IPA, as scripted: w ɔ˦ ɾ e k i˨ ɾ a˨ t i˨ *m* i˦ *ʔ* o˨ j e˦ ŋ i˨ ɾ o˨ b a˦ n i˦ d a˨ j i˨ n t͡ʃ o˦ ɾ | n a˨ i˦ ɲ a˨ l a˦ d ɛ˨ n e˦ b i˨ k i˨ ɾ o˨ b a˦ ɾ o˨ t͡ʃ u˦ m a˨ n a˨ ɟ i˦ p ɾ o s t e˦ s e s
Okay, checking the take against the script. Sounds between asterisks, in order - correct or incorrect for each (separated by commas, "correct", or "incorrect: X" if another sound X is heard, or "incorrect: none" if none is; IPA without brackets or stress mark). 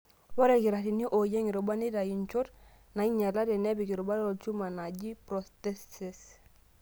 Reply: incorrect: n, correct